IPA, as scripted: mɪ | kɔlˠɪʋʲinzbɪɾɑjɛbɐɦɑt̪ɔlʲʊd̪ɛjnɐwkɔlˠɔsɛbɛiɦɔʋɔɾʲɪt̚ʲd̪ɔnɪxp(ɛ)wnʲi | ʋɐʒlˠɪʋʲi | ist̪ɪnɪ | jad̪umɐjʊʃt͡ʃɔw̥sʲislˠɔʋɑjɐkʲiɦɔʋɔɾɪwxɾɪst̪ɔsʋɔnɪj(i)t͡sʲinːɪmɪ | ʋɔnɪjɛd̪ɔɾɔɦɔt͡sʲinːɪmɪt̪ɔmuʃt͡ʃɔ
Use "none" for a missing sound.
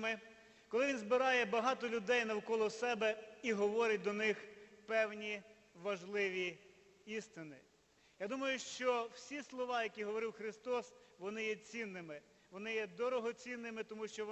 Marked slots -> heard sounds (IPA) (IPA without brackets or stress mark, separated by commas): ɛ, ɛ